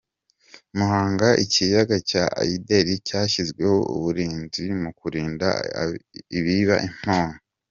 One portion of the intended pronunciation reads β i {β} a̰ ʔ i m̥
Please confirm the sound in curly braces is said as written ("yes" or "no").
yes